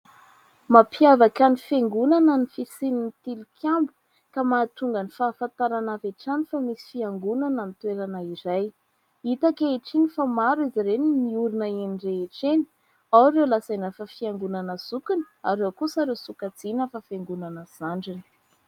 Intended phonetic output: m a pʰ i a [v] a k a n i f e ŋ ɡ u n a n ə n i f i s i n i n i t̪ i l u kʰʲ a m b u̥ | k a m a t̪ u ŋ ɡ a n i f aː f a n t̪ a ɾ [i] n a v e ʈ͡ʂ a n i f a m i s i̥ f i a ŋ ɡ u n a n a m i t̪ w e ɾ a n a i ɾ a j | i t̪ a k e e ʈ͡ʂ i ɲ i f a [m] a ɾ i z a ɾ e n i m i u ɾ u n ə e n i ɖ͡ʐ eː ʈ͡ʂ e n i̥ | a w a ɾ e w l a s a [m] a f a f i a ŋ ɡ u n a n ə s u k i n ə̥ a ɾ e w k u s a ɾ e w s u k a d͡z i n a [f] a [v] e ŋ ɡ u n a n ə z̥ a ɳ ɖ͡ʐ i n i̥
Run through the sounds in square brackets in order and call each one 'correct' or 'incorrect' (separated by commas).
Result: correct, incorrect, correct, incorrect, correct, incorrect